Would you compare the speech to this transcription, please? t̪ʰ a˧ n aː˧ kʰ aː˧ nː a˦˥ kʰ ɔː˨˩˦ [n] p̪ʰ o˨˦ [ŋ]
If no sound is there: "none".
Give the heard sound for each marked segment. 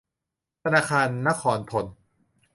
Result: n, n

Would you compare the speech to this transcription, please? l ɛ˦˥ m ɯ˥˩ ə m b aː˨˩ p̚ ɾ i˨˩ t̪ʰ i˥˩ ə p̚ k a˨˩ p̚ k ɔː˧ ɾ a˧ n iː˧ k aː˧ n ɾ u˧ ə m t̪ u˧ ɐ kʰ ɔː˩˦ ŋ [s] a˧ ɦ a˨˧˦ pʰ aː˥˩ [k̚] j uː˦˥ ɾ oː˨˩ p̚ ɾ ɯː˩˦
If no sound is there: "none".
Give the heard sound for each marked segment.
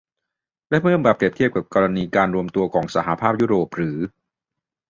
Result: s, p̚

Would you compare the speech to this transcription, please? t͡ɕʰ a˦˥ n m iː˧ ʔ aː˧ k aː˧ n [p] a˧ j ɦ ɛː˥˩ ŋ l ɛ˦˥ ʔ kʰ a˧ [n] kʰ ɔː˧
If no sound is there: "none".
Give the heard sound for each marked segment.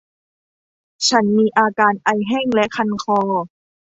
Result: ʔ, n

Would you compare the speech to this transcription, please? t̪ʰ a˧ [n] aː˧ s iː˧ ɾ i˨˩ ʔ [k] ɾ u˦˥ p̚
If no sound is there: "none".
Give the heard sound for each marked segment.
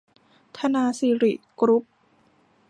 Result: n, k

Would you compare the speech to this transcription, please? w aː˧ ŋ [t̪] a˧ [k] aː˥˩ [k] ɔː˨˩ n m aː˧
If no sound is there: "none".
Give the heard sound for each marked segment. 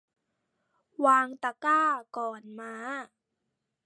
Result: t̪, k, k

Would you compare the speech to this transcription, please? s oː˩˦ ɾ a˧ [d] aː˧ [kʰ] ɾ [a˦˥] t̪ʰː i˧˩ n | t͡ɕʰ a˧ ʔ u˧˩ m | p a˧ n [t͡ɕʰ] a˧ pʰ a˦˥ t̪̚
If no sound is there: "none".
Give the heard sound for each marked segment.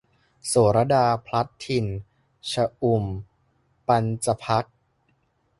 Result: d, pʰ, a˦˥, t͡ɕ

